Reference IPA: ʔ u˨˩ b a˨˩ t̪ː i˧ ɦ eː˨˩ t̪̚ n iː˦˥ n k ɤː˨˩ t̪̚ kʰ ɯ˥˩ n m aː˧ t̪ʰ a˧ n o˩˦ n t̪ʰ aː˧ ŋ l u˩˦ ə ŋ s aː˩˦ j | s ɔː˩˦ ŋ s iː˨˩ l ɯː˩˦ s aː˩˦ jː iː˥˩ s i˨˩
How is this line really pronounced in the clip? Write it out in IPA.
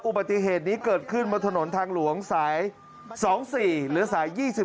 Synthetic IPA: ʔ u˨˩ b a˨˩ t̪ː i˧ ɦ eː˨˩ t̪̚ n iː˦˥ k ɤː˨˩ t̪̚ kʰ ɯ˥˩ n m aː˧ t̪ʰ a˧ n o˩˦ n t̪ʰ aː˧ ŋ l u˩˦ ə ŋ s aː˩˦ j | s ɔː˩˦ ŋ s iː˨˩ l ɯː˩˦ s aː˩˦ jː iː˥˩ s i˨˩